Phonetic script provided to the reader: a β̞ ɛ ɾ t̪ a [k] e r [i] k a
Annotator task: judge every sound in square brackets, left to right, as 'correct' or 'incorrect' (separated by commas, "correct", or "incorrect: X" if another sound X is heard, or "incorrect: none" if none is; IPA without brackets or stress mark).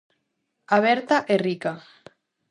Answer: incorrect: ʔ, correct